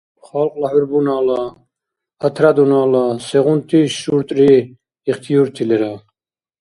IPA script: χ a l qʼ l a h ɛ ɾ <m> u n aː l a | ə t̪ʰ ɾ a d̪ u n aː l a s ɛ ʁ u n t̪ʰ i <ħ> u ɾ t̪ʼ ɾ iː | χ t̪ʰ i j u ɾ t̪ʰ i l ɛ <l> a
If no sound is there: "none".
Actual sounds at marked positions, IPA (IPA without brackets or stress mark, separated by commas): b, ʃ, ɾ